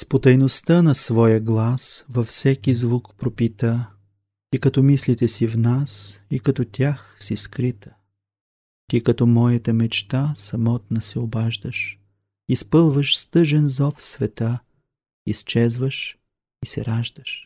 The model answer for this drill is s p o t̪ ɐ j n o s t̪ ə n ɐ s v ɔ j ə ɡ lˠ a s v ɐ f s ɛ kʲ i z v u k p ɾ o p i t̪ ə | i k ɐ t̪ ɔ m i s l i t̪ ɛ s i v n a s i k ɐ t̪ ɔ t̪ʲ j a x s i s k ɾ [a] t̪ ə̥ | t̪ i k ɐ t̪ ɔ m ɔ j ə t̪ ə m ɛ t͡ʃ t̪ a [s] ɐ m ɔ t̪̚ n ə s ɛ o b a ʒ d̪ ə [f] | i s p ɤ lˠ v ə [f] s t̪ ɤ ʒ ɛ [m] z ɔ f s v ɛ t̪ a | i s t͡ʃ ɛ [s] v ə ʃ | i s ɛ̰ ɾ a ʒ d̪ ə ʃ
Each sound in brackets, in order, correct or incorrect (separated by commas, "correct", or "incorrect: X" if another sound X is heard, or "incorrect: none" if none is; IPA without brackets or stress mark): incorrect: i, correct, incorrect: ʃ, incorrect: ʃ, incorrect: n, incorrect: z